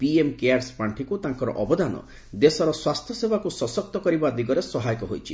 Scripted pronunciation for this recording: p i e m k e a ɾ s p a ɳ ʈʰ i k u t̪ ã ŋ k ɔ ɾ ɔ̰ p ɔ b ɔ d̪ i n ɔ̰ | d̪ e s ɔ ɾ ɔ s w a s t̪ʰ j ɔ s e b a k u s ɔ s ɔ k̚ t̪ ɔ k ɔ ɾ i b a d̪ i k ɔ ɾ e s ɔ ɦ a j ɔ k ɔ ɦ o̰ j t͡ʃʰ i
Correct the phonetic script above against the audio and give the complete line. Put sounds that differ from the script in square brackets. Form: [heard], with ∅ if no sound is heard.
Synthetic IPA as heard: p i e m k e a ɾ s p a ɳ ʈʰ i k u t̪ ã ŋ k ɔ ɾ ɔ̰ [ʔ] ɔ b ɔ d̪ [a] n ɔ̰ | d̪ e s ɔ ɾ ɔ s w a s t̪ʰ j ɔ s e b a k u s ɔ s ɔ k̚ t̪ ɔ k ɔ ɾ i b a d̪ i [ɡ] ɔ ɾ e s ɔ ɦ a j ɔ k ɔ ɦ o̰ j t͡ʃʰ i

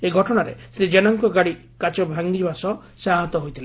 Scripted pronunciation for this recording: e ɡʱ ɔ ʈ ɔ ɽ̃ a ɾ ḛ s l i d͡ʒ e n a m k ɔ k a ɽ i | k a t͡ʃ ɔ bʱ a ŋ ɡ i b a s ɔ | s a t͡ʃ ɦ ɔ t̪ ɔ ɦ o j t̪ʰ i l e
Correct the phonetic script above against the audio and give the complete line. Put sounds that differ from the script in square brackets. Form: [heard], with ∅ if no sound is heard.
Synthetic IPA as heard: e ɡʱ ɔ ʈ ɔ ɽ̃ a ɾ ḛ s [ɾ] i d͡ʒ e n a [ŋ] k ɔ [ɡ] a ɽ i | k a t͡ʃ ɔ bʱ a ŋ ɡ i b a s ɔ | s a [∅] ɦ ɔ t̪ ɔ ɦ o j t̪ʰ i l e

